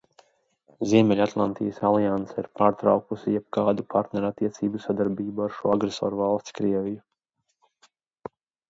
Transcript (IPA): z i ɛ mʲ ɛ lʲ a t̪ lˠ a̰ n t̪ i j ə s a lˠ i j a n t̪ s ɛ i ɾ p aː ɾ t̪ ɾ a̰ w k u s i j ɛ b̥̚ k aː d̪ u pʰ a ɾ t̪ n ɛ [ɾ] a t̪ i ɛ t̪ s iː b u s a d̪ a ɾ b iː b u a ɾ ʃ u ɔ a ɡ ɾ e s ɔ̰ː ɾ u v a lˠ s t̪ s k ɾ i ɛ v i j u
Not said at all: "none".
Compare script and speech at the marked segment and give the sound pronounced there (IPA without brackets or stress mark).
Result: ɾ